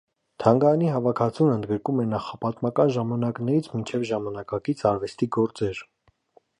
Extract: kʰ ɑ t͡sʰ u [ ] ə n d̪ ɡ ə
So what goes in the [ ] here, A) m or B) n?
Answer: B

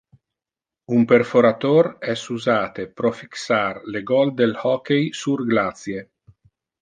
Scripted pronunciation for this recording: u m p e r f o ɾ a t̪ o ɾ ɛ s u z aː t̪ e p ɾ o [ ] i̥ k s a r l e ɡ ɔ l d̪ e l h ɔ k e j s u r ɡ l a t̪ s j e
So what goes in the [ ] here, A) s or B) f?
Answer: B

